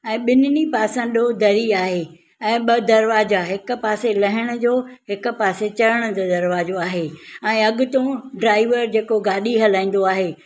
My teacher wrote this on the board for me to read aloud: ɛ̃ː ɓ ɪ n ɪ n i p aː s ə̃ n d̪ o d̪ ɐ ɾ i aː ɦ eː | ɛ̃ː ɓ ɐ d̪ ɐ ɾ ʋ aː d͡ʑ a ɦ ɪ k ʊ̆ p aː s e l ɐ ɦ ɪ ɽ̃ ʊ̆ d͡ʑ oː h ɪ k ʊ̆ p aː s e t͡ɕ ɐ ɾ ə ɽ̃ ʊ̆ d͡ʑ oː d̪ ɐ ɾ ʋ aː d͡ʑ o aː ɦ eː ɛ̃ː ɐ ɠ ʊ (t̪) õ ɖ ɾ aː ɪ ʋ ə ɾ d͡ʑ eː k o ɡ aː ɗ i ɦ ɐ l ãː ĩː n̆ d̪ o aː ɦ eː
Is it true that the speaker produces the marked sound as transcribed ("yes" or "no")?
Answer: yes